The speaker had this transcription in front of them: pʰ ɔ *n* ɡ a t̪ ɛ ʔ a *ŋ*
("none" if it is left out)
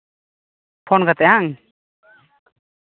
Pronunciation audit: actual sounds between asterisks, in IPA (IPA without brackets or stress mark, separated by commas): n, ŋ